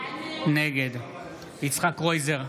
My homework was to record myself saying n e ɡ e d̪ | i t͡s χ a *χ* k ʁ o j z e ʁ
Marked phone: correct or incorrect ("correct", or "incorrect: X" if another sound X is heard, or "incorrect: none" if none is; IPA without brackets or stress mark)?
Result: incorrect: none